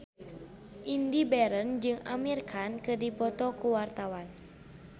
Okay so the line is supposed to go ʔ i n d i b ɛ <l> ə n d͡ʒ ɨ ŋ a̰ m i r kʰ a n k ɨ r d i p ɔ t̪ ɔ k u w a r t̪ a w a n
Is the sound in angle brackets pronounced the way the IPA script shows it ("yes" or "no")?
no